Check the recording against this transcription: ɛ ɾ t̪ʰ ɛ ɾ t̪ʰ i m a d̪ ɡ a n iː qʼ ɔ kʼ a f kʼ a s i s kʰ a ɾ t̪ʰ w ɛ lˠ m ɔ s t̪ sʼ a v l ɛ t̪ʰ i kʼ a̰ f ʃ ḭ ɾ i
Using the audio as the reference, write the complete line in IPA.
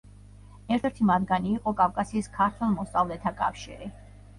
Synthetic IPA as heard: ɛ ɾ t̪ʰ ɛ ɾ t̪ʰ i m a d̪ ɡ a n iː qʼ ɔ kʼ a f kʼ a s iː s kʰ a ɾ t̪ʰ w ɛ lˠ m ɔ s t̪ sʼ a v l ɛ t̪ʰ a kʼ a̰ f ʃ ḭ ɾ i